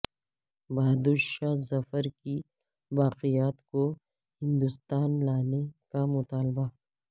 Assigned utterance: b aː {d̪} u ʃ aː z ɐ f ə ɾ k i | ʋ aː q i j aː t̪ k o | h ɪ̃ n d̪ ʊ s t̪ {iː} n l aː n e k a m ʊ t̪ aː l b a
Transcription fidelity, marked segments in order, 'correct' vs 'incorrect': correct, incorrect: aː

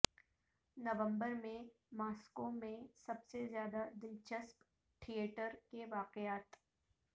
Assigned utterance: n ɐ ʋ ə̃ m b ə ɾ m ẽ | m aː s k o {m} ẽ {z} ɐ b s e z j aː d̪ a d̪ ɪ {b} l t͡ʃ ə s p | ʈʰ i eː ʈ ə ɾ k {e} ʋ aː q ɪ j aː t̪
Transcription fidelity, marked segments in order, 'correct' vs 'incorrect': correct, incorrect: s, incorrect: none, correct

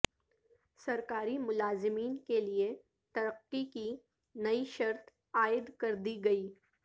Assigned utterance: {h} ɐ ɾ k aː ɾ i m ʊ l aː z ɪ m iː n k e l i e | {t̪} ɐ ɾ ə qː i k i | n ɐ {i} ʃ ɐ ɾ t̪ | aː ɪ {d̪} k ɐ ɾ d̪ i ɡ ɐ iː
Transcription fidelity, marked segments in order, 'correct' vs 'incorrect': incorrect: s, correct, correct, correct

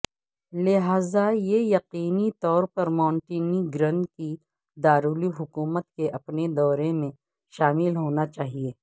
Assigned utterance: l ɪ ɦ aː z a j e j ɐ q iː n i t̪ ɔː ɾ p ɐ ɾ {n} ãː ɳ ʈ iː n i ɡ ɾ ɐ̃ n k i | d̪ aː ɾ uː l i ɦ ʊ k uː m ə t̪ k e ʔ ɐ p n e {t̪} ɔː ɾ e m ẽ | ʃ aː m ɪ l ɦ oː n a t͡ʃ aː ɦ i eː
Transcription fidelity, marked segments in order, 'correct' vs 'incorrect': incorrect: m, incorrect: d̪

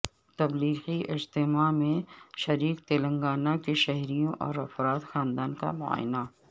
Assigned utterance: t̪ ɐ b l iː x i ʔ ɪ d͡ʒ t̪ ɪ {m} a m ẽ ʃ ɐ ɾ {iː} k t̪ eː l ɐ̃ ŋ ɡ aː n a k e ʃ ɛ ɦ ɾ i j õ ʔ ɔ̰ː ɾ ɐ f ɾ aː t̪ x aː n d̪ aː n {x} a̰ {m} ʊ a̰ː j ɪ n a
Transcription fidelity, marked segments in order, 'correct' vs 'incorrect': correct, correct, incorrect: k, correct

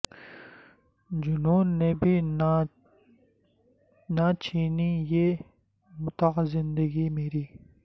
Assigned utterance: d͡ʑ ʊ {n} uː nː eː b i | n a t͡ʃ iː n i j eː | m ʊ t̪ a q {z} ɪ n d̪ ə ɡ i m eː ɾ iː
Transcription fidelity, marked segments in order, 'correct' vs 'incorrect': correct, correct

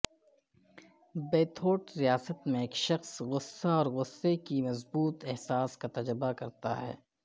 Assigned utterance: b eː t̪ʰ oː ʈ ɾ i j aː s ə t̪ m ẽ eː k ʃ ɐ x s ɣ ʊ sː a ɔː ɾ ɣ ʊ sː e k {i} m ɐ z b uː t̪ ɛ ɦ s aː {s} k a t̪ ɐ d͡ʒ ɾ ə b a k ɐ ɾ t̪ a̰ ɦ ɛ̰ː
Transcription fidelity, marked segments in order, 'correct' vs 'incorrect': correct, correct

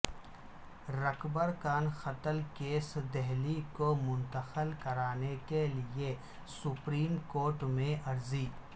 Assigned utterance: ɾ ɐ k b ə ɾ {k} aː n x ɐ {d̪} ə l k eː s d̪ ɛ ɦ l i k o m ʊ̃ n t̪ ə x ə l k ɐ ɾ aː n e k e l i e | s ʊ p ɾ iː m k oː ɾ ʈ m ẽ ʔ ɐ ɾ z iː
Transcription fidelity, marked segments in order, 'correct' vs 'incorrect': correct, incorrect: t̪

